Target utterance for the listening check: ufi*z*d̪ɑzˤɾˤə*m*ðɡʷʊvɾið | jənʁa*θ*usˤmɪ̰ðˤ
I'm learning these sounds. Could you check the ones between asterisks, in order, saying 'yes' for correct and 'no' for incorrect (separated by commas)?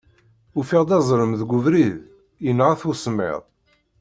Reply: no, yes, yes